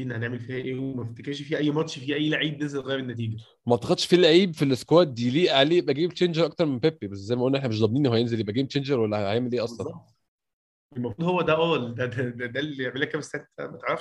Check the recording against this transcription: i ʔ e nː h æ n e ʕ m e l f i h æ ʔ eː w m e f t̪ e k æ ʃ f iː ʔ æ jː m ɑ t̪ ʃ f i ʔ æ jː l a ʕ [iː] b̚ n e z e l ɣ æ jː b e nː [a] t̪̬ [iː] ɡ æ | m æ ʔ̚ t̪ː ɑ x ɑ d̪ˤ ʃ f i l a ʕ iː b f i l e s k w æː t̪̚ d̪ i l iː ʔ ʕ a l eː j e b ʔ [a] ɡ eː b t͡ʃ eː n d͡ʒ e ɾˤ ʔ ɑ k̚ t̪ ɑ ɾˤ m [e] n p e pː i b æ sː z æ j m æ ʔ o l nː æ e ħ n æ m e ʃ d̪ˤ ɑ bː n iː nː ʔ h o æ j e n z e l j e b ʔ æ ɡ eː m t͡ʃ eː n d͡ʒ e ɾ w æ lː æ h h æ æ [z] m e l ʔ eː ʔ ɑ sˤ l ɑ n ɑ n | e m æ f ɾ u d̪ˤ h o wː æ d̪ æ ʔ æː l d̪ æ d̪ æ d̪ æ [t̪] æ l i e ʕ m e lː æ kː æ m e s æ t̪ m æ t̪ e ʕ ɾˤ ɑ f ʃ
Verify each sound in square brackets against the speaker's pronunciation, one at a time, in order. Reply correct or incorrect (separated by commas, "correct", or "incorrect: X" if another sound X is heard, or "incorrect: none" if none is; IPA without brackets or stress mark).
correct, incorrect: æ, correct, incorrect: æ, correct, incorrect: ʕ, incorrect: d̪